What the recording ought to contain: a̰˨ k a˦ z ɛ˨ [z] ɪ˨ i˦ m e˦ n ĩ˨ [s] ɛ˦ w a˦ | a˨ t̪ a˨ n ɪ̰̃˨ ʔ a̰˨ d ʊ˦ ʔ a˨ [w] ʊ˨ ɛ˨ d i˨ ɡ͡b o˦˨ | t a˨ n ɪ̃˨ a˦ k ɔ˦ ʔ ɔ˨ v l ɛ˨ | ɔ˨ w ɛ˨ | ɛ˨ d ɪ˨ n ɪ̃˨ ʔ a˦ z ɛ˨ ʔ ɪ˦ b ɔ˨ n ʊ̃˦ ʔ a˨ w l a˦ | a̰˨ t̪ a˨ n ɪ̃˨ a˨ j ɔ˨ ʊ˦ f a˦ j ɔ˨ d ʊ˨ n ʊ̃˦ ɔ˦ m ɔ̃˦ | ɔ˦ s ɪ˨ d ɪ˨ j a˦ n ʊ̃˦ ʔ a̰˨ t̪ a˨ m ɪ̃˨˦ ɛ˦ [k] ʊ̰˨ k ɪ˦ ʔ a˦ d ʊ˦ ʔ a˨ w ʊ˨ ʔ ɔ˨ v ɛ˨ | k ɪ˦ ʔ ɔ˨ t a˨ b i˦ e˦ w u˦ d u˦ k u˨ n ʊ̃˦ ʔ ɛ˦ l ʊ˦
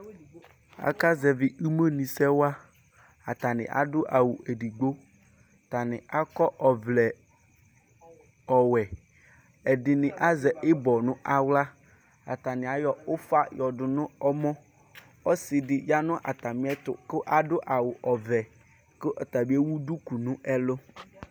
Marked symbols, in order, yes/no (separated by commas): no, yes, yes, no